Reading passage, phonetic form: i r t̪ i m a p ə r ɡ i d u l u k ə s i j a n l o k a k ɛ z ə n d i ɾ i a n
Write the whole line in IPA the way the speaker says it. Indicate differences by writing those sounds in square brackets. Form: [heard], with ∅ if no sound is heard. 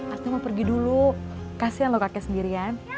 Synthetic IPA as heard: [a] r t̪ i m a p ə r ɡ i d u l u k [a] s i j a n l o k a k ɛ [s] ə n d i ɾ i a n